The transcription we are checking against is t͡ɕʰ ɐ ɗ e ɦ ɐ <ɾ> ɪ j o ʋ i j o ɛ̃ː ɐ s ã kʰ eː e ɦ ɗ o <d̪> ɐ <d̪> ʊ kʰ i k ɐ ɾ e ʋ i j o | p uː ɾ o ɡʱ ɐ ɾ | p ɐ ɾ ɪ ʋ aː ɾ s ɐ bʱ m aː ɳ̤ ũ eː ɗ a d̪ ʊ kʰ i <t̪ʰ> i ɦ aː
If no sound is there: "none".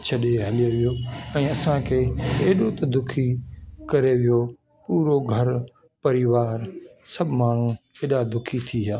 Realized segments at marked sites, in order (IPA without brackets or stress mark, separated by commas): l, t̪, d̪, t̪ʰ